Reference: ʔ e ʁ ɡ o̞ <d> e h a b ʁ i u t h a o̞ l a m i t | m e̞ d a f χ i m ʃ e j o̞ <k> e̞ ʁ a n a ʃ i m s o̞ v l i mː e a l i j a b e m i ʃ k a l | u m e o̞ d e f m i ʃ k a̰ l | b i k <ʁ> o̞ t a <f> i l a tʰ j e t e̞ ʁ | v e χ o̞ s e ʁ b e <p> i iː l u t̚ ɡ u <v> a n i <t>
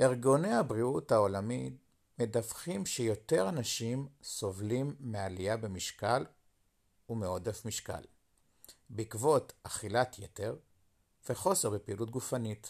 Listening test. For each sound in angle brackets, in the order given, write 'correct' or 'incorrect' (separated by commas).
incorrect, incorrect, incorrect, incorrect, correct, incorrect, correct